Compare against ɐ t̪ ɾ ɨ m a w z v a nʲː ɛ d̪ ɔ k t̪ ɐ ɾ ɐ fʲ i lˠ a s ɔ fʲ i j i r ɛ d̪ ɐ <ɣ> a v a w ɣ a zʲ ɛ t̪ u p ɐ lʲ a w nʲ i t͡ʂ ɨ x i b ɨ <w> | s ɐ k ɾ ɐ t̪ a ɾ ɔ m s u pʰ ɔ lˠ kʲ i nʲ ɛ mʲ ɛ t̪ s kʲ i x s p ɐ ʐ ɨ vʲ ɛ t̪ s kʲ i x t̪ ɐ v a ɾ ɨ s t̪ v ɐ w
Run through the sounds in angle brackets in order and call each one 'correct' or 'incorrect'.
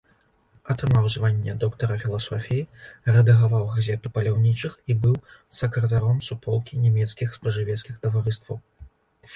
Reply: correct, correct

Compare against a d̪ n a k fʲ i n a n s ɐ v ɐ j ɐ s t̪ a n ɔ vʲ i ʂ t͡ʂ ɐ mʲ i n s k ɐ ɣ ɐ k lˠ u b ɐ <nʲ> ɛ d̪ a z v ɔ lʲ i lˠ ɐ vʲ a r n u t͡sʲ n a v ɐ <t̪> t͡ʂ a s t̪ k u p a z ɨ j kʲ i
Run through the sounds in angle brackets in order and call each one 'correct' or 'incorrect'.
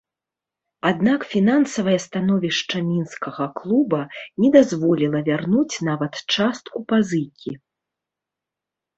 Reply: correct, correct

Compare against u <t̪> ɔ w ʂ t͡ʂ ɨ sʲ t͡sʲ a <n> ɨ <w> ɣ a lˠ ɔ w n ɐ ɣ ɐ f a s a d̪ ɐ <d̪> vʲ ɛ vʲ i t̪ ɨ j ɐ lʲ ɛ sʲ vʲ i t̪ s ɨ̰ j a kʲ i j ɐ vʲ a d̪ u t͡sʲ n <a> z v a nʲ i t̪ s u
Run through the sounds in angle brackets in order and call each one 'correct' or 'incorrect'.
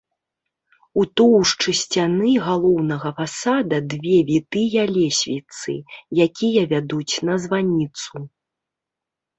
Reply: correct, correct, incorrect, correct, incorrect

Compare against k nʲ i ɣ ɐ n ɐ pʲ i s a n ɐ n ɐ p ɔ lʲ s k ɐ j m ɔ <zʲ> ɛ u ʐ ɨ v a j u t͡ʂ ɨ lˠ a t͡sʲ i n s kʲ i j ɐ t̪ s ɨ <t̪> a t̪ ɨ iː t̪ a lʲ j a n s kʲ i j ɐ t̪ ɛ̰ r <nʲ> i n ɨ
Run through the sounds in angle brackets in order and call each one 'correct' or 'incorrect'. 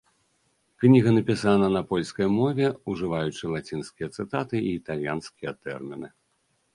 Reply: incorrect, correct, incorrect

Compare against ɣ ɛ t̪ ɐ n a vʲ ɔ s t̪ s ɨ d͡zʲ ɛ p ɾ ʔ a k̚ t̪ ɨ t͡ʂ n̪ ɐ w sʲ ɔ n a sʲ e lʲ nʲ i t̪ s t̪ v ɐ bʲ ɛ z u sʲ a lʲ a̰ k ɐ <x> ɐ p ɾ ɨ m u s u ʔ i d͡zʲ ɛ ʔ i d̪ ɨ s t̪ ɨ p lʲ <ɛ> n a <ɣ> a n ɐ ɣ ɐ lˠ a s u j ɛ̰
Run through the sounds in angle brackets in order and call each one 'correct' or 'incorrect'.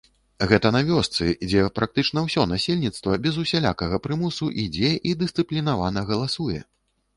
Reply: incorrect, incorrect, incorrect

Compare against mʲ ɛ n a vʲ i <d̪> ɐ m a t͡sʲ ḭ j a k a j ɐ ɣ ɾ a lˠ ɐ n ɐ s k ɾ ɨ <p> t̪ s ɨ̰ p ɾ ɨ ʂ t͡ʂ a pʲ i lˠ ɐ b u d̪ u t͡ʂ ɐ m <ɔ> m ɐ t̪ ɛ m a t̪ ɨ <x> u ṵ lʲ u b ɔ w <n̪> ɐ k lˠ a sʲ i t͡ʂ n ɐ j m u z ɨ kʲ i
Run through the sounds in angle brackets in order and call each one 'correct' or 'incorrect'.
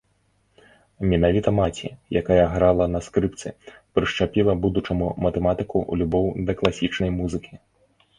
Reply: incorrect, correct, incorrect, incorrect, incorrect

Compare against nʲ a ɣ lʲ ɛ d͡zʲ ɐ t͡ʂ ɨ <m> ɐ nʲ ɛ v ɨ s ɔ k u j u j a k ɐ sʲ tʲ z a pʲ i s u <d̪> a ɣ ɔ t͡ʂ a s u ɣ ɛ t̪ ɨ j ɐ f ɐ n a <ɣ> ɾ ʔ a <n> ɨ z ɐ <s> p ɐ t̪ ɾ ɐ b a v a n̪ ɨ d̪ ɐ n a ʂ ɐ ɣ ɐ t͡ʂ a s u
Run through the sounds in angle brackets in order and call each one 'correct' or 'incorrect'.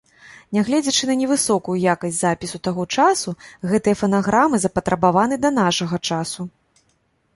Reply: incorrect, incorrect, correct, incorrect, incorrect

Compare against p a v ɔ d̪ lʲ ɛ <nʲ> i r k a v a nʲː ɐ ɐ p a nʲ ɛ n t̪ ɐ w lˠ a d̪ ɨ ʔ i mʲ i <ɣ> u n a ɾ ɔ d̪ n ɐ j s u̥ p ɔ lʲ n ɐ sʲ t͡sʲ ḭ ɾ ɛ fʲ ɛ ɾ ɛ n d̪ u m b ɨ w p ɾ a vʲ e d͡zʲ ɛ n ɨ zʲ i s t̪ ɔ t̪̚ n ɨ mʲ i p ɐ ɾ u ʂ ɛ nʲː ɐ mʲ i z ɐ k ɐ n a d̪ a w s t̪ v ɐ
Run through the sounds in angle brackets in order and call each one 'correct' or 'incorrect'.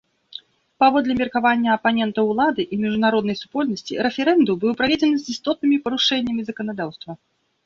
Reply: incorrect, incorrect

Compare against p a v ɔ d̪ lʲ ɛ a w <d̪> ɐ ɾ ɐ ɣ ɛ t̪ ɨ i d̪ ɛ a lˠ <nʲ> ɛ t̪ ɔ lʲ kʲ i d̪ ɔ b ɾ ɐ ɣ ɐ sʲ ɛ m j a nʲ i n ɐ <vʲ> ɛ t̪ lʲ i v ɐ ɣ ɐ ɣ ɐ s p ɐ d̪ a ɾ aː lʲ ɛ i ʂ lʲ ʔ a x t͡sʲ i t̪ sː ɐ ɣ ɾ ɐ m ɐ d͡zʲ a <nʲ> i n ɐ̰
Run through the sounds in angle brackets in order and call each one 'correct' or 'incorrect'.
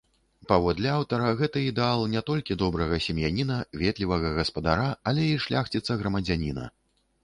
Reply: incorrect, correct, correct, correct

